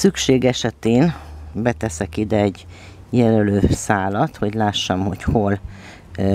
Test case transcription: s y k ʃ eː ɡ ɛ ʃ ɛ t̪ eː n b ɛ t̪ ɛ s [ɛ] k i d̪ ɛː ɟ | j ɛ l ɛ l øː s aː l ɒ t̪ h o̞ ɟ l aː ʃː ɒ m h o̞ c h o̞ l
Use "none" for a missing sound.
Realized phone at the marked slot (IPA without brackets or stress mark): ɛ